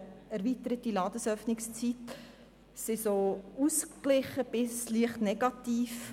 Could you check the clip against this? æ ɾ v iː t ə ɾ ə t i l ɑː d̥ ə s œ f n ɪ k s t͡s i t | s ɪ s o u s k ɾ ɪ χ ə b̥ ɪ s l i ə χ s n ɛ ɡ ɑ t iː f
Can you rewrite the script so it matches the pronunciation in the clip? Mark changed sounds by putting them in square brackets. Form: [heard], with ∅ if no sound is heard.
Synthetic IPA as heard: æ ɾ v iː t ə ɾ ə t i l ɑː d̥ ə s œ f n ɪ k s t͡s i t | s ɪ s o u s k [l] ɪ χ ə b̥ ɪ s l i ə χ [t] n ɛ ɡ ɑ t iː f